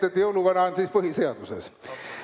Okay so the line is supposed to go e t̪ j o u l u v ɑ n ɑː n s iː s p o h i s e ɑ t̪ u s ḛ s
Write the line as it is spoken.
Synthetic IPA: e t̪ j o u l u ʋ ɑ n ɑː n s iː s p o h i s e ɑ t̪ u s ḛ s